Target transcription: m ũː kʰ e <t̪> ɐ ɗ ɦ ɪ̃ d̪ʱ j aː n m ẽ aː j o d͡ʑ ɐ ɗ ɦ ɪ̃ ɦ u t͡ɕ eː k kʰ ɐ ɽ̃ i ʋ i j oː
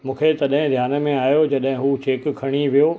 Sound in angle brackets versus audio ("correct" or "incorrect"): correct